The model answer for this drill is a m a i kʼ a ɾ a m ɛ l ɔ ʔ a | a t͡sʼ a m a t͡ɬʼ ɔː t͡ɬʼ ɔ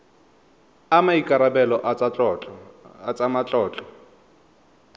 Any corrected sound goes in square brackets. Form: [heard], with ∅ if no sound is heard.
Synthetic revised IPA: a m a i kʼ a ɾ a [b] ɛ l ɔ ʔ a | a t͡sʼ a m a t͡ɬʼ ɔː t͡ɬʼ ɔ